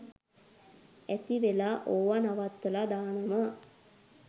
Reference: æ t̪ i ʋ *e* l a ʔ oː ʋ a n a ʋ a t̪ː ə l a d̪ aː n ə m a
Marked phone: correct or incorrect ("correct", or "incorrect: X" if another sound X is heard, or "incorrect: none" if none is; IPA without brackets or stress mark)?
correct